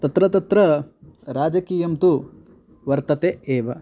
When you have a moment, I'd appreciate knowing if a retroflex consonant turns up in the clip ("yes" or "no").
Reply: no